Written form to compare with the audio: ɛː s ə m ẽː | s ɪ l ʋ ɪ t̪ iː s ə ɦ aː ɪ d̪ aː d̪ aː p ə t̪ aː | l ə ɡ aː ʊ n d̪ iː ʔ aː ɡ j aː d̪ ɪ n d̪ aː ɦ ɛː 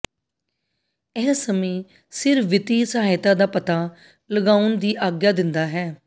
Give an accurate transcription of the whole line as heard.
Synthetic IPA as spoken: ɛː s ə m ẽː | s ɪ ɾ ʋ ɪ t̪ iː s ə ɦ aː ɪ t̪ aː d̪ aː p ə t̪ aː | l ə ɡ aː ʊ n d̪ iː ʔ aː ɡ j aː d̪ ɪ n d̪ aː ɦ ɛː